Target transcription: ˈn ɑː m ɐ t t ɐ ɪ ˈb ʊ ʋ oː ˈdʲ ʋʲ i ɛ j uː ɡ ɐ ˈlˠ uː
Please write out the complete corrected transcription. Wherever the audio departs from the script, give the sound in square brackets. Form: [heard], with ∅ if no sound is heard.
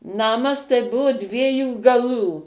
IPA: ˈn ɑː m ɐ [s] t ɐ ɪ ˈb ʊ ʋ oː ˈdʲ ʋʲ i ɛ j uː ɡ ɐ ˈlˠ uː